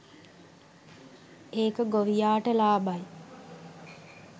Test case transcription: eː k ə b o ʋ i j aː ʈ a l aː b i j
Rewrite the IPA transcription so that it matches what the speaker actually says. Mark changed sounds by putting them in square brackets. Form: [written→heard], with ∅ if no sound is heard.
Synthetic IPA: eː k ə [b→ɡ] o ʋ i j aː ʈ [a→ə] l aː b [i→a] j